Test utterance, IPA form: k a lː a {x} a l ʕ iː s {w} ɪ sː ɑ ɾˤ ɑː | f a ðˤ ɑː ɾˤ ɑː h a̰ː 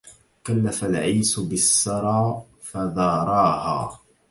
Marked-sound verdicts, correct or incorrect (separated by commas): incorrect, incorrect